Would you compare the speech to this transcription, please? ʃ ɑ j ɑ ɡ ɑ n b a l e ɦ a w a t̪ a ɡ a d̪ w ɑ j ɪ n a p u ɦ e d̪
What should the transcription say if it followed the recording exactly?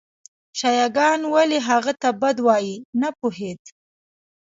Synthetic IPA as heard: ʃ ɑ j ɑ ɡ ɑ n w a l e ɦ a ɣ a t̪ a b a d̪ w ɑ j i n a p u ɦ e d̪